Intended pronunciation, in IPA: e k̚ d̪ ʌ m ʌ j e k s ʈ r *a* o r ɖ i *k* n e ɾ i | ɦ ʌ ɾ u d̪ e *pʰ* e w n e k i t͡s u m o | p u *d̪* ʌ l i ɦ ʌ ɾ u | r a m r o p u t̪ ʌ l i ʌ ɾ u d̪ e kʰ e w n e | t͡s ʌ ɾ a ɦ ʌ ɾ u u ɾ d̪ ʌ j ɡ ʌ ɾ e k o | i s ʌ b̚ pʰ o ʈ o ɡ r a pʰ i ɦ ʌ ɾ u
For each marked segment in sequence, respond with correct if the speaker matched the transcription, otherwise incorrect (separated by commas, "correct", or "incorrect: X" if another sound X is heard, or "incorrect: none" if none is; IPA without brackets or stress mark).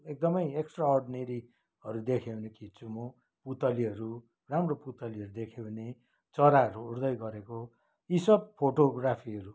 correct, incorrect: none, incorrect: kʰ, incorrect: t̪